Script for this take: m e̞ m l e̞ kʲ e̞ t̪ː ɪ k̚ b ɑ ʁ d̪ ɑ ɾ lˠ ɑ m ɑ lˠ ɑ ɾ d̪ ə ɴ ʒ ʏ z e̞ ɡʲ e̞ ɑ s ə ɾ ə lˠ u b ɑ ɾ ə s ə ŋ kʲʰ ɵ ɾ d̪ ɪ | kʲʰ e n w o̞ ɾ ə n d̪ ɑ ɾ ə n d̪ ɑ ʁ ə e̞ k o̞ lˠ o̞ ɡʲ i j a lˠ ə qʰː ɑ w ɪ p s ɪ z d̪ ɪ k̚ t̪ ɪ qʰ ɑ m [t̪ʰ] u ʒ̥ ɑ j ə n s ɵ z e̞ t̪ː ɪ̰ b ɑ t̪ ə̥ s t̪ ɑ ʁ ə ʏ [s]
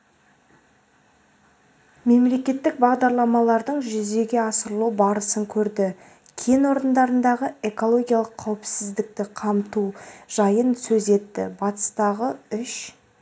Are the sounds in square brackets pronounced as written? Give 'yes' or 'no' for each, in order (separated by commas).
no, no